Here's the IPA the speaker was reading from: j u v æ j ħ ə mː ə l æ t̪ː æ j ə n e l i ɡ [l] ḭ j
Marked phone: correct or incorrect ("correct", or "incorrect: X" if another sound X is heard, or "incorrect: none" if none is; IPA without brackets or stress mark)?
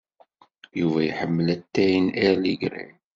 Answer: incorrect: ɾ